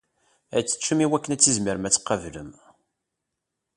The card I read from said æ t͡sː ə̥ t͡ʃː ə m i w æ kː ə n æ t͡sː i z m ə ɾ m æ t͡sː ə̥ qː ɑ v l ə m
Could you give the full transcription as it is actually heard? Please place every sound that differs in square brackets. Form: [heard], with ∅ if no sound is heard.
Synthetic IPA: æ t͡sː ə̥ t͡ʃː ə m i w æ kː ə n æ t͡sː i z m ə ɾ m æ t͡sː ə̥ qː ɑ v l ə m